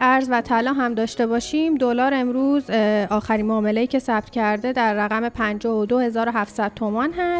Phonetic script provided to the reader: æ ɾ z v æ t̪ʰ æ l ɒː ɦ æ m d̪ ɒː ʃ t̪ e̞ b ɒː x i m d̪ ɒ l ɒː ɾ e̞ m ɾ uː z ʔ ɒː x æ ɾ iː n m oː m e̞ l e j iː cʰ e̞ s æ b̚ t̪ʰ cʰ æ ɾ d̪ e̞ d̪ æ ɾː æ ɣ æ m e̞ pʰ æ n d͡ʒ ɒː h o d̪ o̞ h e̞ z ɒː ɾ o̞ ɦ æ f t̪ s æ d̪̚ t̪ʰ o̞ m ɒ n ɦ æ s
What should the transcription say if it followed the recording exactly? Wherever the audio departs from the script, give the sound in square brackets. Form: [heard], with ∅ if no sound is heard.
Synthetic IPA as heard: æ ɾ z v æ t̪ʰ æ l ɒː ɦ æ m d̪ ɒː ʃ t̪ e̞ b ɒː [ʃ] i m d̪ [o] l ɒː ɾ e̞ m ɾ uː z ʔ ɒː x æ ɾ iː n m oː m e̞ l e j iː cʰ e̞ s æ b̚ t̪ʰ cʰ æ ɾ d̪ e̞ d̪ æ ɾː æ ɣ æ m e̞ pʰ æ n d͡ʒ ɒː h o d̪ o̞ h e̞ z ɒː ɾ o̞ ɦ æ f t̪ s æ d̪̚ t̪ʰ o̞ m ɒ n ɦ æ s